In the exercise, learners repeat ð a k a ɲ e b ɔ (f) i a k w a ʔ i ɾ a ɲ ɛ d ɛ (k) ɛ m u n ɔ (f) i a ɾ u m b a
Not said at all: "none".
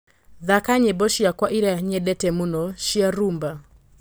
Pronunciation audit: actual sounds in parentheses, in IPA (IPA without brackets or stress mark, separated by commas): ʃ, t, ʃ